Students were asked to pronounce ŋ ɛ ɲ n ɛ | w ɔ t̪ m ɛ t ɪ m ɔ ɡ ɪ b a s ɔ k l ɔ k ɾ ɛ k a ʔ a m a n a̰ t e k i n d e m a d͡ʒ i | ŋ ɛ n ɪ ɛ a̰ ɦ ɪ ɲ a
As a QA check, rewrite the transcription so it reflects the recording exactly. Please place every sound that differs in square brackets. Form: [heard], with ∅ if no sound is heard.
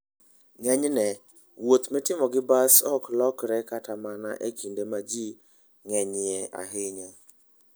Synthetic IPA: ŋ ɛ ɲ n ɛ | w [o] t̪ m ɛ t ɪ m ɔ ɡ ɪ b a s ɔ k l ɔ k ɾ ɛ k a [t] a m a n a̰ [ʔ] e k i n d e m a d͡ʒ i | ŋ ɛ [ɲ] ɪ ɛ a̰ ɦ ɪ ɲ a